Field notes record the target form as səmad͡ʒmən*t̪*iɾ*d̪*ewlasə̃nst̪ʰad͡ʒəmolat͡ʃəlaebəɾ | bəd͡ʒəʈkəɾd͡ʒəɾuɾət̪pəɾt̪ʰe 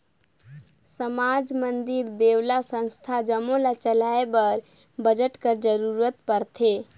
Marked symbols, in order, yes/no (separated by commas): no, yes